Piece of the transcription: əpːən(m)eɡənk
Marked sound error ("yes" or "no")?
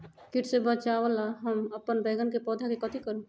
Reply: yes